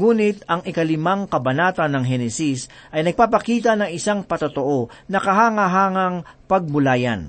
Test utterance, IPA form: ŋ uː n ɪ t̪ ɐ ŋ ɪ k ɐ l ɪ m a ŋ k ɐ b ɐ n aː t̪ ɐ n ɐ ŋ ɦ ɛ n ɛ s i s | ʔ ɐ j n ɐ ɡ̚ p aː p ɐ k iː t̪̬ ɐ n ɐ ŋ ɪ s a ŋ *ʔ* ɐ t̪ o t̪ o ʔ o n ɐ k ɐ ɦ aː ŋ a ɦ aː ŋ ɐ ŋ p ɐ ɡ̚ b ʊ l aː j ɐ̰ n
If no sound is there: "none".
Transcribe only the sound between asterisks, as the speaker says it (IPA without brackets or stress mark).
p